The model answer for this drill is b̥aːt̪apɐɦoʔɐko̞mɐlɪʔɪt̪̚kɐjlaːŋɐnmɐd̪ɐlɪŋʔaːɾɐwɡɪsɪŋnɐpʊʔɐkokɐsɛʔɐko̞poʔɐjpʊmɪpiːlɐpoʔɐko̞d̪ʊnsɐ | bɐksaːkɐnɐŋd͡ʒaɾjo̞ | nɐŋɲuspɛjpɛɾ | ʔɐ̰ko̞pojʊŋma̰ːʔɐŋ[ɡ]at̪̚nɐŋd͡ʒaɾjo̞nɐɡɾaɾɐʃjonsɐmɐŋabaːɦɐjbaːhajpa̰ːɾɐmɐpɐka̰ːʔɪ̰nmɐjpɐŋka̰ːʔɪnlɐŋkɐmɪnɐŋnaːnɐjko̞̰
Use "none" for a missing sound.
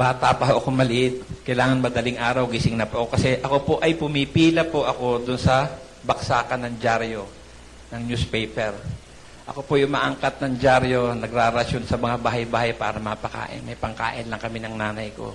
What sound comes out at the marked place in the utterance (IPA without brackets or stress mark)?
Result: k